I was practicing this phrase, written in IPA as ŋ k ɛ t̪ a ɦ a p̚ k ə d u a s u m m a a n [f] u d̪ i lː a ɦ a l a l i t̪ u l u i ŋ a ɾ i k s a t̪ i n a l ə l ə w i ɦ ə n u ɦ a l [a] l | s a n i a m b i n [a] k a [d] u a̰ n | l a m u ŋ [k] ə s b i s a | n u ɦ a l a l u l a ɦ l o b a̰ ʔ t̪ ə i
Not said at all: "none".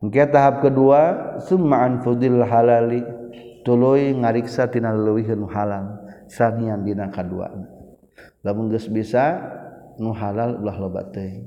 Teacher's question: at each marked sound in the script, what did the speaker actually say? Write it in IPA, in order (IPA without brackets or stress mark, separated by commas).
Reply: f, a, a, d, ɡ